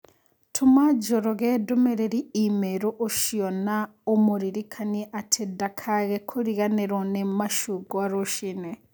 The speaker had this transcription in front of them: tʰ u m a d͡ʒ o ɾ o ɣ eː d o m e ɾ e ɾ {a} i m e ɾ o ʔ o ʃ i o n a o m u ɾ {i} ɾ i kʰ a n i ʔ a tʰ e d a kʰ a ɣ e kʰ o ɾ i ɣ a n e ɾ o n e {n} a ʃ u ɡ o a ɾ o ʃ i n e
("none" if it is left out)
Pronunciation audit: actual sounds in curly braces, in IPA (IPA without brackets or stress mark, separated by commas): i, i, m